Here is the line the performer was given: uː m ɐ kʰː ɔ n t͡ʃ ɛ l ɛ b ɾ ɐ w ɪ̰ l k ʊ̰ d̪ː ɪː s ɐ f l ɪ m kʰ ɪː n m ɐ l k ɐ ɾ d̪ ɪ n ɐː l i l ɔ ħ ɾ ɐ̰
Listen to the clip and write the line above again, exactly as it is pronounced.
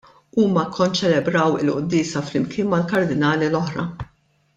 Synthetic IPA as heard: uː m ɐ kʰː ɔ n t͡ʃ ɛ l ɛ b ɾ ɐ w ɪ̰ l ʔ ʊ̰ d̪ː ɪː s ɐ f l ɪ m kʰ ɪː n m ɐ l k ɐ ɾ d̪ ɪ n ɐː l i l ɔ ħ ɾ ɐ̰